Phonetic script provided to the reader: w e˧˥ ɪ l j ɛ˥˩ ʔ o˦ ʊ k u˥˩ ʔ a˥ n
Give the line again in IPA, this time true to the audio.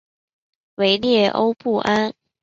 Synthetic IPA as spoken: w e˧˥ ɪ l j ɛ˥˩ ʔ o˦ ʊ p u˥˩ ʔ a˥ n